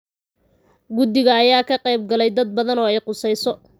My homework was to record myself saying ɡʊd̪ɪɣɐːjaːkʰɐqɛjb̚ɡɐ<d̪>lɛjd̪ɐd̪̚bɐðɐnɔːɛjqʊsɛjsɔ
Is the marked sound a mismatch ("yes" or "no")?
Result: yes